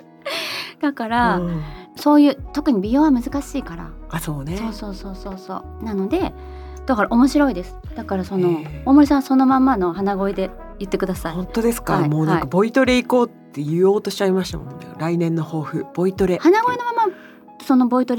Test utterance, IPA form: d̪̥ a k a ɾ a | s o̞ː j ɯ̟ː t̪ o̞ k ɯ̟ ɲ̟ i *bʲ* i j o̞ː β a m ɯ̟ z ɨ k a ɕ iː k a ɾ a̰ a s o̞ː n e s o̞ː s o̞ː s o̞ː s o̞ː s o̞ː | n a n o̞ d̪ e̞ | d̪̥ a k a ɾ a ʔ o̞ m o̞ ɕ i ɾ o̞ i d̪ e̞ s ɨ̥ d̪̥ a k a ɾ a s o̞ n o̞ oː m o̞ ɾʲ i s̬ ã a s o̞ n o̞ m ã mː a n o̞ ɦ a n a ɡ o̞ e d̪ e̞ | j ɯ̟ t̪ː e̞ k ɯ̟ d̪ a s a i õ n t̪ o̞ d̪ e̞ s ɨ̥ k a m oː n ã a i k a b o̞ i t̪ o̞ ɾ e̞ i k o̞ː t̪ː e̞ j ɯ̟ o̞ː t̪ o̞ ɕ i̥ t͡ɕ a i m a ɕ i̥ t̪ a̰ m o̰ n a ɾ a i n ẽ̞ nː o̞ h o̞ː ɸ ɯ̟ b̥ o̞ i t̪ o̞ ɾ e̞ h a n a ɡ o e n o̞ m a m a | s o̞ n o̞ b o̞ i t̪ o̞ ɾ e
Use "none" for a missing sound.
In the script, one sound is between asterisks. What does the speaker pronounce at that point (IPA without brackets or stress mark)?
bʲ